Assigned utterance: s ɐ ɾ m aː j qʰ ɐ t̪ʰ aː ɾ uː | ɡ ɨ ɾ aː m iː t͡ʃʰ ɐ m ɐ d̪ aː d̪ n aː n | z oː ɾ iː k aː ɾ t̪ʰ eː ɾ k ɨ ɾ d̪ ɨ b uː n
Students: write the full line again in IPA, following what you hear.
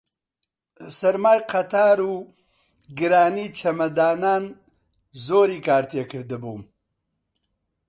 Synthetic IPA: s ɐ ɾ m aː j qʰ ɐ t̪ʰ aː ɾ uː | ɡ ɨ ɾ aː n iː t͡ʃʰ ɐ m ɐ d̪ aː n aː n | z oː ɾ iː k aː ɾ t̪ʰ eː k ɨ ɾ d̪ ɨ b uː m